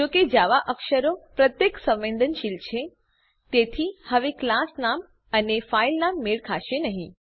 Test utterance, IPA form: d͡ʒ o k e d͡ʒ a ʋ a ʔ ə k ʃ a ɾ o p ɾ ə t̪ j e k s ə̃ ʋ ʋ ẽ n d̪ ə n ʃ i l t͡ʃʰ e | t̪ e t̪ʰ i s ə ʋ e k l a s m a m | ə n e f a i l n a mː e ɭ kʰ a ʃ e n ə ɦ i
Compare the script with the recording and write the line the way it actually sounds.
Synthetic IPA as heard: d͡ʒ o k e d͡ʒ a ʋ a ʔ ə k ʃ ə ɾ o p ɾ ə t̪ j e k s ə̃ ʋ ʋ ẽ n d̪ ə n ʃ i l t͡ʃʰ e | t̪ e t̪ʰ i h ə ʋ e k l a s n a m | ə n e f a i l n a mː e ɭ kʰ a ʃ e n ə ɦ ĩ